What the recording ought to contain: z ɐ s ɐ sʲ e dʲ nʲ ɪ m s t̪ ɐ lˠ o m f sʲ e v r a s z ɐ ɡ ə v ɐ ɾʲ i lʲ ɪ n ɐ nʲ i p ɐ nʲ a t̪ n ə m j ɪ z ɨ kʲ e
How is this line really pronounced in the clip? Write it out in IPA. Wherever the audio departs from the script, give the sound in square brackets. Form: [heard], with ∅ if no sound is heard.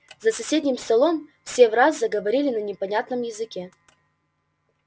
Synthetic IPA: z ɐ s ɐ sʲ e dʲ nʲ ɪ m s t̪ ɐ lˠ o m f sʲ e v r a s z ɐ ɡ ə v ɐ ɾʲ i lʲ ɪ n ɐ nʲ [ɪ] p ɐ nʲ a t̪ n ə m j ɪ z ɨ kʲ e